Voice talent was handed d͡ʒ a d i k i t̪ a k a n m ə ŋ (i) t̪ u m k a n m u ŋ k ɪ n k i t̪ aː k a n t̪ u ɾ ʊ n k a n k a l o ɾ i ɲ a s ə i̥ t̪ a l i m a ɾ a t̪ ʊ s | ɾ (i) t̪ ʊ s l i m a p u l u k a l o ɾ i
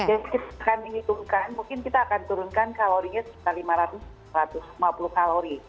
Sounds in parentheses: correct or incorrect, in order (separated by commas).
correct, incorrect